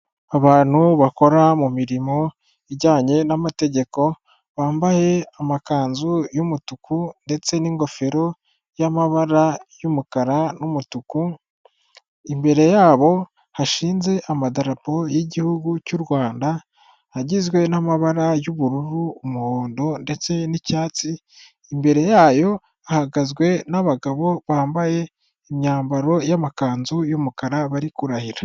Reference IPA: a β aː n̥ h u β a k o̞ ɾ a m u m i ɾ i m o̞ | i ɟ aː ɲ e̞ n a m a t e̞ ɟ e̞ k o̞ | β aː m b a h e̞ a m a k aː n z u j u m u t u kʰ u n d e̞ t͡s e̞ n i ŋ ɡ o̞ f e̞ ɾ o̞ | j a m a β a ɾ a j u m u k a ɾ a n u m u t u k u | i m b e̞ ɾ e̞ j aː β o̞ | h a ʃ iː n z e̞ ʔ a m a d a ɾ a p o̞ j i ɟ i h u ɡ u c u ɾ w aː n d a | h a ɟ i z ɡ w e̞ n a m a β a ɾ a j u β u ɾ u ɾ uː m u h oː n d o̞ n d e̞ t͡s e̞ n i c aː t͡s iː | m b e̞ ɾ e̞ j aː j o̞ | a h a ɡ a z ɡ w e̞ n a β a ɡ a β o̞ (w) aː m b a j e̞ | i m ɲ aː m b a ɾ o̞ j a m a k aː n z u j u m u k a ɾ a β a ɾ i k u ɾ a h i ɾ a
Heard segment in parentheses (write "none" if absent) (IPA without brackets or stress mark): β